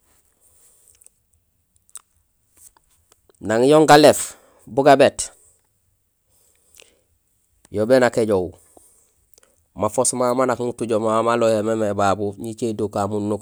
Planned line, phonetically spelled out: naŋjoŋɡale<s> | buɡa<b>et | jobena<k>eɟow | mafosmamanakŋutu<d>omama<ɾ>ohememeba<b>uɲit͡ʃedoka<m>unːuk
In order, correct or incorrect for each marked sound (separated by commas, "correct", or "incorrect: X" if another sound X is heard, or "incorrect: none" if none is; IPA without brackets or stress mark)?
incorrect: f, correct, correct, incorrect: ɟ, incorrect: l, correct, correct